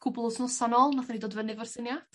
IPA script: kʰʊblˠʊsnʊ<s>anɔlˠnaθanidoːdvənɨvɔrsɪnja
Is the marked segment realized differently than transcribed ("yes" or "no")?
no